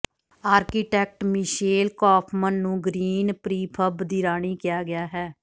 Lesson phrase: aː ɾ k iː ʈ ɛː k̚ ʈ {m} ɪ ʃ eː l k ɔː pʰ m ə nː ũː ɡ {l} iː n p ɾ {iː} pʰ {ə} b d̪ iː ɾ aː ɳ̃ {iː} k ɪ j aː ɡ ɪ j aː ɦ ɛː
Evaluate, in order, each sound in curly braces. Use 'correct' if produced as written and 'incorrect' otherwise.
correct, incorrect: ɾ, correct, correct, correct

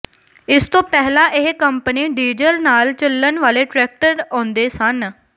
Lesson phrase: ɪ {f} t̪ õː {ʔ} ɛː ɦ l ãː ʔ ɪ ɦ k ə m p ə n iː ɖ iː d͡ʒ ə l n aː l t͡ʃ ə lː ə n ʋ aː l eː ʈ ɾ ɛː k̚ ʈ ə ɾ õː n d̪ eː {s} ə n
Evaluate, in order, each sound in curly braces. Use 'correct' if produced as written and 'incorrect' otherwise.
incorrect: s, incorrect: p, correct

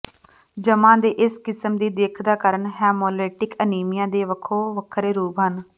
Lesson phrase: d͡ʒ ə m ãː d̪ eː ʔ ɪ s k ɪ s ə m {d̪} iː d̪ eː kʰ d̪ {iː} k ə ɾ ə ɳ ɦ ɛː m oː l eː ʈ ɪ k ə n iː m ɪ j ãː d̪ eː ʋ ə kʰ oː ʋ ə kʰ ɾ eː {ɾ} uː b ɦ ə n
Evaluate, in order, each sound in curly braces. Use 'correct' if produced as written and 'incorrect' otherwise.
correct, incorrect: aː, correct

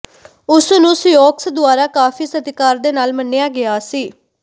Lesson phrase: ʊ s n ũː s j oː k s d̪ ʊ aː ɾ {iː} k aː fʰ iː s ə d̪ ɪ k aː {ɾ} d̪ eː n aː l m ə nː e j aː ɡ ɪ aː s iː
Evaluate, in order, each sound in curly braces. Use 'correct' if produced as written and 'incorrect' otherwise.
incorrect: aː, correct

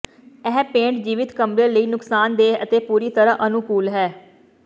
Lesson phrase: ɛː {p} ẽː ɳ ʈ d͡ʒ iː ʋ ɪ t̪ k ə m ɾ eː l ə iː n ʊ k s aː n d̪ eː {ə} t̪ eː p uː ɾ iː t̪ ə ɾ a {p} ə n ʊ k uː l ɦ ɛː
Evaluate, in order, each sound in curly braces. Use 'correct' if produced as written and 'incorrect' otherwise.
correct, correct, incorrect: ʔ

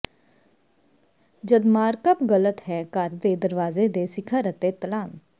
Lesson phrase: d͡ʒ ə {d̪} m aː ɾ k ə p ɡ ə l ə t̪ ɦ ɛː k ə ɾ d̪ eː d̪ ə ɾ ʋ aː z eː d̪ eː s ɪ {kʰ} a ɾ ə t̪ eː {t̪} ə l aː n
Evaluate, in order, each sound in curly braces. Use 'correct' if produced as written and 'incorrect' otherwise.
correct, correct, correct

